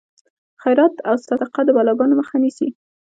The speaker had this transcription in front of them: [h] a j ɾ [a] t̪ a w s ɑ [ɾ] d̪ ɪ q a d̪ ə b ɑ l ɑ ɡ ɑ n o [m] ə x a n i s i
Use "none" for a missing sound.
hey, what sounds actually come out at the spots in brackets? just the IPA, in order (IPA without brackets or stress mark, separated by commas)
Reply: x, ɑ, none, m